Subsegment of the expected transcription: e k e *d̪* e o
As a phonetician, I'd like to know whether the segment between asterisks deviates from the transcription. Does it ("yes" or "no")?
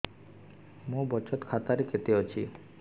yes